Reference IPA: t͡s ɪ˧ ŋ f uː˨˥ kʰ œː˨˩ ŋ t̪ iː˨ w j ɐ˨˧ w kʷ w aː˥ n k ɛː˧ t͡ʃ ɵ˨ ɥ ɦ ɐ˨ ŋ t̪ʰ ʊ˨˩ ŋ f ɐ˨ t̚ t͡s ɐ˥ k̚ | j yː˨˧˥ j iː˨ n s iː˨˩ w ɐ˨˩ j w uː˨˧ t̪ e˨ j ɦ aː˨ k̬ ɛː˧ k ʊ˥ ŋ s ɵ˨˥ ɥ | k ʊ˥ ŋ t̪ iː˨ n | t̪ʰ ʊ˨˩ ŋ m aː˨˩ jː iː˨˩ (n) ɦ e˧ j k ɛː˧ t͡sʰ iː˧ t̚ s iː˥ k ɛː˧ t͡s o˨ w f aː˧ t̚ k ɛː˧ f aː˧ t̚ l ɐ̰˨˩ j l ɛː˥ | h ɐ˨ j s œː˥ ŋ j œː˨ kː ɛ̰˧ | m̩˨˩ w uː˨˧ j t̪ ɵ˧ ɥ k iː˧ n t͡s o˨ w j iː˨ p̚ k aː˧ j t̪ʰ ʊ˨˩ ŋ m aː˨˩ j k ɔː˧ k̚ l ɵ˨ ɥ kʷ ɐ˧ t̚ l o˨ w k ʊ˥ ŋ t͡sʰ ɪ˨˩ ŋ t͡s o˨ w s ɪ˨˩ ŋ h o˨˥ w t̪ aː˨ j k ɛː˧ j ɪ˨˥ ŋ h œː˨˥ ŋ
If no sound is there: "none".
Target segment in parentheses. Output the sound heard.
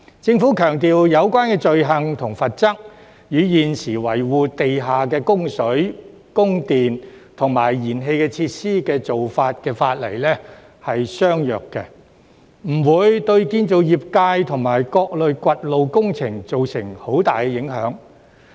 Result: n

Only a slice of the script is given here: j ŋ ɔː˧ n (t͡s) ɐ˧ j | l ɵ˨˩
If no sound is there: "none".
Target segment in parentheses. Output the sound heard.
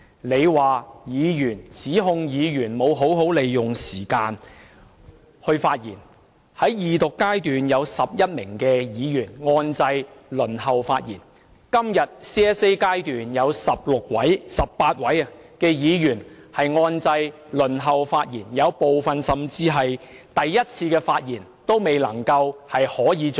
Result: t͡s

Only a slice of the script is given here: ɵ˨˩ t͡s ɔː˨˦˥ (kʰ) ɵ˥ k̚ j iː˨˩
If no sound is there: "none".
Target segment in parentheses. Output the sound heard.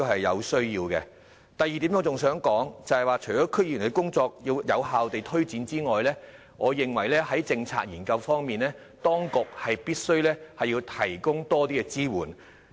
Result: kʰ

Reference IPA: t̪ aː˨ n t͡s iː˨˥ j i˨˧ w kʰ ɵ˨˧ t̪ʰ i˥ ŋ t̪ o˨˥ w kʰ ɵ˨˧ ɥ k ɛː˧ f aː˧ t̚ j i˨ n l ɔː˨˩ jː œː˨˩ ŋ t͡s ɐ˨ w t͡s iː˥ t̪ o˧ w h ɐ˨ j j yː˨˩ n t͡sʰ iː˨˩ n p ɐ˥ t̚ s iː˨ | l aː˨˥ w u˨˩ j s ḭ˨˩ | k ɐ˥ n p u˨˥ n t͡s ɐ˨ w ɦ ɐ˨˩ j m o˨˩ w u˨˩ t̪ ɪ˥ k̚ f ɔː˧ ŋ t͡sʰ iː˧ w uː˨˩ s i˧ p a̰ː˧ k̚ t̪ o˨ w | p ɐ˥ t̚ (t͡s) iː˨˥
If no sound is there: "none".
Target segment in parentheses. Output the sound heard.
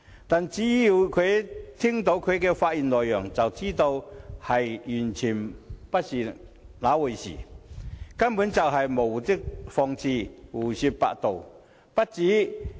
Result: t͡s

